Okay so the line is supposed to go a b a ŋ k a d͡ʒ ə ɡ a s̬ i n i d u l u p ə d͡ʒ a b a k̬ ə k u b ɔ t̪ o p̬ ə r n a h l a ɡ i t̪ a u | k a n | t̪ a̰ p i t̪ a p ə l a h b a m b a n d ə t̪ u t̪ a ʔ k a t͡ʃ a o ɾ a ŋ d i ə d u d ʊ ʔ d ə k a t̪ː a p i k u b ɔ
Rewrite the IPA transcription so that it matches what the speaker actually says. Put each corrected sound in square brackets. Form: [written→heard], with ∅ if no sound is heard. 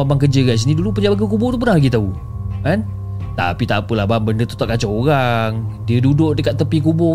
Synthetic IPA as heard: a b a ŋ k [a→ə] d͡ʒ ə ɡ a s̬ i n i d u l u p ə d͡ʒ a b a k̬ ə k u b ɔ t̪ [o→u] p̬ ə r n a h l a ɡ i t̪ a u | k a n | t̪ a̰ p i t̪ a p ə l a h b a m b [a→ə] n d ə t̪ u t̪ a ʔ k a t͡ʃ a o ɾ a ŋ d i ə d u d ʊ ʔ d ə k a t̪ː [a→ə] p i k u b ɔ